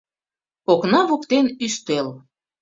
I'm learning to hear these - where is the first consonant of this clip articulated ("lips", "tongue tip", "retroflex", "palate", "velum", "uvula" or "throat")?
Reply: velum